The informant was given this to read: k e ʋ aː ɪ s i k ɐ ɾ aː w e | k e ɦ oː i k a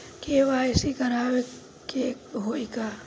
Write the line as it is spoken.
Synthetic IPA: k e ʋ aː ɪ s i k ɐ ɾ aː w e | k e ɦ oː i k a